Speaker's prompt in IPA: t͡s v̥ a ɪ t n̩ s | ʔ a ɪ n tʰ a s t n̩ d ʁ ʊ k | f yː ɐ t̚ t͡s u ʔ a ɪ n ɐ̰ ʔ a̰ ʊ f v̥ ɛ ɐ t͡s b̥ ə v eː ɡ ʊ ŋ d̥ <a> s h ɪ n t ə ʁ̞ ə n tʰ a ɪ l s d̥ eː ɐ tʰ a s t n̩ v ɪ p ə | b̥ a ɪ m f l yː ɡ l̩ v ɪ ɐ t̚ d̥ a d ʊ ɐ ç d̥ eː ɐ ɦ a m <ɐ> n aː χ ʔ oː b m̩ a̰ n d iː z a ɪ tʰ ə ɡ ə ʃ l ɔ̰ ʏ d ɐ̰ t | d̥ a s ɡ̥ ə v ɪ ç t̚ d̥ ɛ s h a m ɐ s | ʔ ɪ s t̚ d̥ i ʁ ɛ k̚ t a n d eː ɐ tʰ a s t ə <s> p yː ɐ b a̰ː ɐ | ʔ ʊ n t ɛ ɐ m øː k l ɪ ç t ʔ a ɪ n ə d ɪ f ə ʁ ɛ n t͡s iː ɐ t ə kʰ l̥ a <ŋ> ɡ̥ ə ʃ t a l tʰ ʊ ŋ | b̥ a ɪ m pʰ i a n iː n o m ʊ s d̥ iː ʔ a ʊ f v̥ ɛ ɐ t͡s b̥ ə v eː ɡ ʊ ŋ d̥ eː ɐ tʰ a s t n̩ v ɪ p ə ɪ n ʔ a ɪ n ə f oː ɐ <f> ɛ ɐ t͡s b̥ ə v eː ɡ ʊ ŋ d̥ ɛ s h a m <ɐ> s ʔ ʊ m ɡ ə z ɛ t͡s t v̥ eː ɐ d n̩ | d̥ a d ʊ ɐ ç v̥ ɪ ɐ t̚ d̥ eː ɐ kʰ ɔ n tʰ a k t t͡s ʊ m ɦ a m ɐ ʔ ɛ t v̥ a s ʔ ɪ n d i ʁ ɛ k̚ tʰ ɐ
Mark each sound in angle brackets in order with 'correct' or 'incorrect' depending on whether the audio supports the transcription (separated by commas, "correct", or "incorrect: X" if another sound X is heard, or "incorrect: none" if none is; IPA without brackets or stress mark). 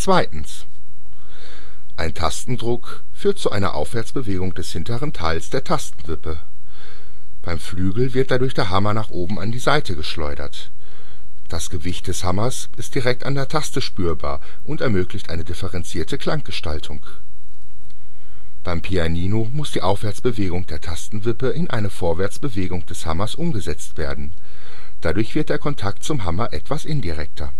incorrect: ɛ, correct, incorrect: ʃ, correct, incorrect: v, correct